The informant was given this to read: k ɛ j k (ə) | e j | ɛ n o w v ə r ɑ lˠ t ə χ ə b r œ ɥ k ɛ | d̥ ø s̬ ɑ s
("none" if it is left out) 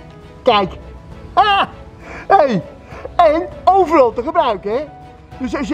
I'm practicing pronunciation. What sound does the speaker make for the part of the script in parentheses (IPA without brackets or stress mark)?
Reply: a